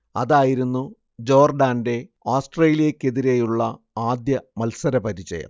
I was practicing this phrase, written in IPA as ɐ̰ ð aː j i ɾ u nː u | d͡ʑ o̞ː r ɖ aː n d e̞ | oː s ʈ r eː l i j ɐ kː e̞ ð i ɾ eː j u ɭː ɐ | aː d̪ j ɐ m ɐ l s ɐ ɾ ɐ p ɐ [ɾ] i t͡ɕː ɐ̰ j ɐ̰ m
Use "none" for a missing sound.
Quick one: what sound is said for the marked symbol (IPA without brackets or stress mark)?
ɾ